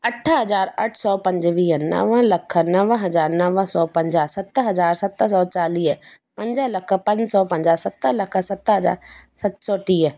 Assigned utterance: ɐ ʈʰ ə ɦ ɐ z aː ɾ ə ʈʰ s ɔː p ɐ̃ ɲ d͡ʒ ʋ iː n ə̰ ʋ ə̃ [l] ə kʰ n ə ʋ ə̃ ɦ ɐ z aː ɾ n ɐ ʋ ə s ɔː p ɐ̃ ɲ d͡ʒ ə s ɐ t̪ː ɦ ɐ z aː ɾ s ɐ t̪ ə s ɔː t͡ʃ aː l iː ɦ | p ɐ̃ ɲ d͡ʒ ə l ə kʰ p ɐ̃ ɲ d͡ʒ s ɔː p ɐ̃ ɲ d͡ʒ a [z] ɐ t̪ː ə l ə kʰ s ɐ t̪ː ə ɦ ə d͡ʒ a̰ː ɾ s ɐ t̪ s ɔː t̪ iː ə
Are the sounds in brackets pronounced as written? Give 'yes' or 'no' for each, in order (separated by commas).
yes, no